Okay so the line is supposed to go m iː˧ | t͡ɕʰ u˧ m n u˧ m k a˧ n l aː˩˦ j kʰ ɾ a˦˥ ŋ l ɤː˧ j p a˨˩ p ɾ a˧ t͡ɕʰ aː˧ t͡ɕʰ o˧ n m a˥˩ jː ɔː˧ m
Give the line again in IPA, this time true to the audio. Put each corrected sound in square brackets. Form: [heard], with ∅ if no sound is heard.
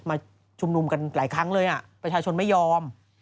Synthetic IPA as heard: m [aː˧] | t͡ɕʰ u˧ m n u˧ m k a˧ n l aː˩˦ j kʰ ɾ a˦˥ ŋ l ɤː˧ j [ʔ] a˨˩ p ɾ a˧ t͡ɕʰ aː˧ t͡ɕʰ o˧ n m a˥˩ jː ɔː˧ m